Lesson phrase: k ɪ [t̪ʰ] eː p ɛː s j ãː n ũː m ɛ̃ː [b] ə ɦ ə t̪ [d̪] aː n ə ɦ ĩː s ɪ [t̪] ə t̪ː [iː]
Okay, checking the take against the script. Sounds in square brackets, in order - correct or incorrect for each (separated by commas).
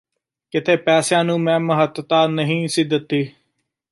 correct, incorrect, incorrect, incorrect, correct